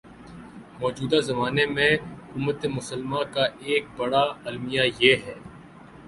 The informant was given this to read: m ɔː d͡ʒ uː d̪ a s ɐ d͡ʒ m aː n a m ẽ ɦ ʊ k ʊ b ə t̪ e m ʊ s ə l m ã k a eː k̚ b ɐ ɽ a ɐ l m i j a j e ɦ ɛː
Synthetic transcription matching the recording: m ɔː d͡ʒ uː d̪ a z ɐ m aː n e m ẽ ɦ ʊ k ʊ m ə t̪ e m ʊ s ə l m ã k a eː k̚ b ɐ ɽ a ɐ l m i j a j e ɦ ɛː